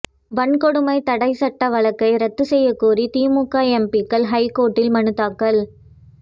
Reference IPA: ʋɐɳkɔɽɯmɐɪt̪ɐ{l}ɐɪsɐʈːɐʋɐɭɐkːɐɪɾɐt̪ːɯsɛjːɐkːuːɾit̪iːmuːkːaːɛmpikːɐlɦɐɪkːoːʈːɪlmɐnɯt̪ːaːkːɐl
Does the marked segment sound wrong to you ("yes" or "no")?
yes